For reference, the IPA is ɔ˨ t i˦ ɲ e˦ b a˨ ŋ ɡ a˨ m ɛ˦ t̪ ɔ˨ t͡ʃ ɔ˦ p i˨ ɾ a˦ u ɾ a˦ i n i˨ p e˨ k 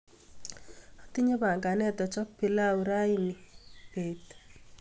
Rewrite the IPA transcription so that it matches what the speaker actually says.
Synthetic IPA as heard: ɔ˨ t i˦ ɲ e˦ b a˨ ŋ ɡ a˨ n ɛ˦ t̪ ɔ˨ t͡ʃ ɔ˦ p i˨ l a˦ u ɾ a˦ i n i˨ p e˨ t